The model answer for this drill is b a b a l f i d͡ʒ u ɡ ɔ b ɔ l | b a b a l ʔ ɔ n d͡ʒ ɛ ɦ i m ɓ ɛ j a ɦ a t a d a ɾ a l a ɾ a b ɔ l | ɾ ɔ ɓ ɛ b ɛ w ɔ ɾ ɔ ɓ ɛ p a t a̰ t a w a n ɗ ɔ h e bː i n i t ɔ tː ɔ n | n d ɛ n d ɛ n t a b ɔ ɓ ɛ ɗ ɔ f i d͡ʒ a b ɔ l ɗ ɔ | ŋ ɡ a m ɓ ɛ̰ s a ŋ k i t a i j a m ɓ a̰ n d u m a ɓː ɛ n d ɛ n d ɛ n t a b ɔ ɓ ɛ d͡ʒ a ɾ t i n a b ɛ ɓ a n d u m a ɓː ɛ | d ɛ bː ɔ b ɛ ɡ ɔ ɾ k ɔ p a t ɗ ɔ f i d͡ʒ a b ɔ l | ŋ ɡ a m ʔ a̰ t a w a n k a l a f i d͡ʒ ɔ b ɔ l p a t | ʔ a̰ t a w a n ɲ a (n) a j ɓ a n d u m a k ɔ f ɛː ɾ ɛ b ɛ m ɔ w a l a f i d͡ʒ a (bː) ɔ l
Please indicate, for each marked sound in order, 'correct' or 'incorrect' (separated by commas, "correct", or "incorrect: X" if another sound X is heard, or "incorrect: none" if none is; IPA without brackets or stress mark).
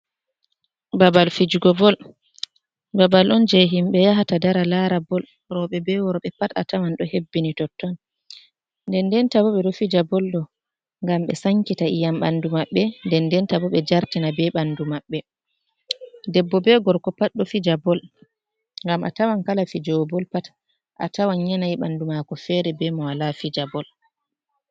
correct, incorrect: b